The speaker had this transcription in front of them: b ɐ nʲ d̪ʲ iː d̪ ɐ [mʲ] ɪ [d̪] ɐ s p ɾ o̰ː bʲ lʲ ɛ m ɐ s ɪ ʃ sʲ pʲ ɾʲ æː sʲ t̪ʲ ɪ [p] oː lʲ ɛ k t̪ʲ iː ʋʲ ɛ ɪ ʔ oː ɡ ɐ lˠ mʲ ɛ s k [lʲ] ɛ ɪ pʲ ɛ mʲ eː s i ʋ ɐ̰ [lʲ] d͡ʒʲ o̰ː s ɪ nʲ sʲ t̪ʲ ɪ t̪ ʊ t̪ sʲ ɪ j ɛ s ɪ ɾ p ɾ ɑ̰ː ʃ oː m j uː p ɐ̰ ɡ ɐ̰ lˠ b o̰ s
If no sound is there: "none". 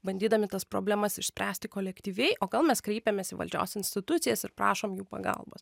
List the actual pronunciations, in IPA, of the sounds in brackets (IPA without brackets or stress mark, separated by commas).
mʲ, t̪, k, ɾʲ, lʲ